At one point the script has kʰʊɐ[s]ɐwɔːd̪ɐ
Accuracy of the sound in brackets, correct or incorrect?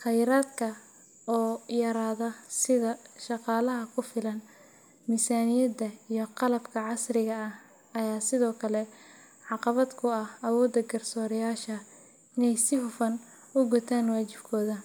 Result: incorrect